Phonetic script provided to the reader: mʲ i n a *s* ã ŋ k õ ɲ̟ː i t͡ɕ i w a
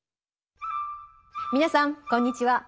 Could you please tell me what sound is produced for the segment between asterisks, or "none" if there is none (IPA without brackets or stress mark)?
s